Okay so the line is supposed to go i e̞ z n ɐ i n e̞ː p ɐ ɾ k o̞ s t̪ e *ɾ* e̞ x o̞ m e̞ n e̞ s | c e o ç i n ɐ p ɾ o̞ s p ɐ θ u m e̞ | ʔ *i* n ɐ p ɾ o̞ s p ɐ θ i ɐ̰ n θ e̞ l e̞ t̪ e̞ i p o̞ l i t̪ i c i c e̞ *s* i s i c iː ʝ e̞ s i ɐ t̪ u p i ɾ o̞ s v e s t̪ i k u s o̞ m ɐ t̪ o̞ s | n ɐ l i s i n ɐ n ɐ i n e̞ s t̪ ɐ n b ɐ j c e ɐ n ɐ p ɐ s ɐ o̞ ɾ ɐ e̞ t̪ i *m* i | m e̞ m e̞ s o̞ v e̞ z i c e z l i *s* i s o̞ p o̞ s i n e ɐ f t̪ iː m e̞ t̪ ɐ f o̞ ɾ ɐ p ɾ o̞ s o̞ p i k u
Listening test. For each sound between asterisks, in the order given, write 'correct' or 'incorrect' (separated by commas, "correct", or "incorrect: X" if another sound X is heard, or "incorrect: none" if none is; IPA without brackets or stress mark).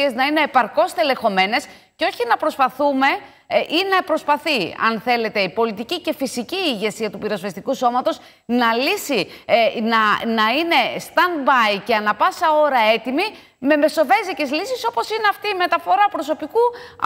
incorrect: l, correct, incorrect: f, correct, correct